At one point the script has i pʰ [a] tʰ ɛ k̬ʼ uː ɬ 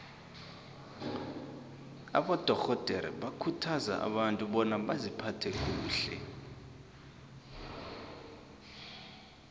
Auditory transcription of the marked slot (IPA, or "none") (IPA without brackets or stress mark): a